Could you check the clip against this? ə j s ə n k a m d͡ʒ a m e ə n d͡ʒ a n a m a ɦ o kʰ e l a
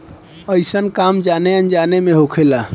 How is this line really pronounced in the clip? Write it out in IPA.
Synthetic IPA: ə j s ə n k a m d͡ʒ a n e ə n d͡ʒ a n e m e ɦ o kʰ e l a